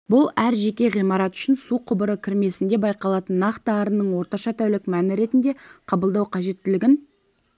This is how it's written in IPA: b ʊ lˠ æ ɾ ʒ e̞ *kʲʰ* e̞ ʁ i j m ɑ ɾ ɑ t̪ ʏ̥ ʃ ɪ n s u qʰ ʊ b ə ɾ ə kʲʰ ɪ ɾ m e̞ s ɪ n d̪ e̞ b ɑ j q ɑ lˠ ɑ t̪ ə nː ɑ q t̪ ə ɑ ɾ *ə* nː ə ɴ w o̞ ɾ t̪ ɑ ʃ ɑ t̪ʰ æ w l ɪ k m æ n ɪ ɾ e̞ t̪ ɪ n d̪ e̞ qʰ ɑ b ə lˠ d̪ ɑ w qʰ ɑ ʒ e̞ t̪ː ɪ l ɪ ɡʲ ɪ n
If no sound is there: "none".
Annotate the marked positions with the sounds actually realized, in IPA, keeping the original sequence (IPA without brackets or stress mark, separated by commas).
kʲ, ə